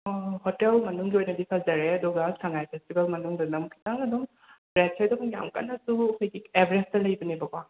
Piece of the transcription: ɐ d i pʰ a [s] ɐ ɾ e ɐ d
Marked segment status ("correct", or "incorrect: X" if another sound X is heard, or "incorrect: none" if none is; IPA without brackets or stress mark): incorrect: z